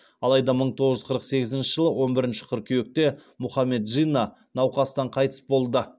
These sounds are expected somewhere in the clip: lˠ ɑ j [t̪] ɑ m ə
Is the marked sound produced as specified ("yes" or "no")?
no